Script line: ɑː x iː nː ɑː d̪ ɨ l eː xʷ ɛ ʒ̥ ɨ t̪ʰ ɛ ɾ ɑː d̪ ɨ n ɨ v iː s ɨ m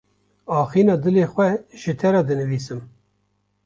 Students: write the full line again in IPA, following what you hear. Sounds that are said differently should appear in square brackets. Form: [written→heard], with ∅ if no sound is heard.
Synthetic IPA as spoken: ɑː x iː [nː→n] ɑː d̪ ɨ l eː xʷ ɛ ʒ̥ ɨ t̪ʰ ɛ ɾ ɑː d̪ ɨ n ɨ v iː s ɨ m